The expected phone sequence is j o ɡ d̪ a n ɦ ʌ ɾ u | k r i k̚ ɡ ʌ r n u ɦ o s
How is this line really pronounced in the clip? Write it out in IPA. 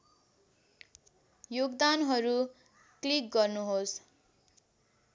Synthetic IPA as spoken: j o ɡ d̪ a n ɦ ʌ ɾ u | k l i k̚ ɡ ʌ r n u ɦ o s